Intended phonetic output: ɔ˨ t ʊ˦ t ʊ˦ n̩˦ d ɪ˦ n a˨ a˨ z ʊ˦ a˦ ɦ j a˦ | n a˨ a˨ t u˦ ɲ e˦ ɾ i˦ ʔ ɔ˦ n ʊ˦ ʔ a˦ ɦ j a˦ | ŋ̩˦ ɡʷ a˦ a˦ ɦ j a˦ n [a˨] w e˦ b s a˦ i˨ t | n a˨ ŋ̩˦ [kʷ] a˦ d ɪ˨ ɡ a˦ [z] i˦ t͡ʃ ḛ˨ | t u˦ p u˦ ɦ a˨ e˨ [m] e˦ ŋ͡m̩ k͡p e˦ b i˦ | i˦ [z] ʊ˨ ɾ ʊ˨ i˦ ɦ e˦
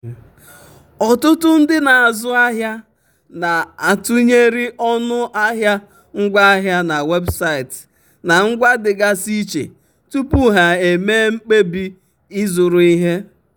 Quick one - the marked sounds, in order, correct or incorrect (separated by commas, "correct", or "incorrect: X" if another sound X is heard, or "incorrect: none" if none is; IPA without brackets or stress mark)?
correct, incorrect: ɡʷ, incorrect: s, correct, correct